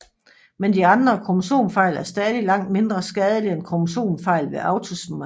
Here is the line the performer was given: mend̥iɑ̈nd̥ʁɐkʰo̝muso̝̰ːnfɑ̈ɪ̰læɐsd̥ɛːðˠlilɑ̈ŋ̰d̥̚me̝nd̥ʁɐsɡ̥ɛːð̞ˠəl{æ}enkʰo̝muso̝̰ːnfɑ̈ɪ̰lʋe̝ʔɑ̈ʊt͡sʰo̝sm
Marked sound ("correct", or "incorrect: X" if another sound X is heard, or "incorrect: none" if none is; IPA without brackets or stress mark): incorrect: i